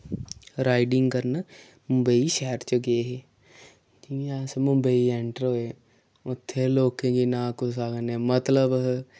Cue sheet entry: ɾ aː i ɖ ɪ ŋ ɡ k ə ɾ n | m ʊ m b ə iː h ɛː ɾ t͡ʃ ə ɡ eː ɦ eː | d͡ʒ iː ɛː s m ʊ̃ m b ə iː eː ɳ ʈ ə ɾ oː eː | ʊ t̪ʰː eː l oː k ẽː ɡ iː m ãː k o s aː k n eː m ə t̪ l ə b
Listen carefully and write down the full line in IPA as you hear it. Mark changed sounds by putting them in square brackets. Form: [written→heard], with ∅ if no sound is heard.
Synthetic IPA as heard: ɾ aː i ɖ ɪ ŋ ɡ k ə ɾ n | m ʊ m b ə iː [h→ʃ] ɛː ɾ t͡ʃ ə ɡ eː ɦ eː | d͡ʒ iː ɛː s m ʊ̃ m b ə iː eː ɳ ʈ ə ɾ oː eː | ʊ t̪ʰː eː l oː k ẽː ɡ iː [m→n] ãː k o s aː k n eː m ə t̪ l ə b